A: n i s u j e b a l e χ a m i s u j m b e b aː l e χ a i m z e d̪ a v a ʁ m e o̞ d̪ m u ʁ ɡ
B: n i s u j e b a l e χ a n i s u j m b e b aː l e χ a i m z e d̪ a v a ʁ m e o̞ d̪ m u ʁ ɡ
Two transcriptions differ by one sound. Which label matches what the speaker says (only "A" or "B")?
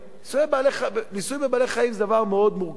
B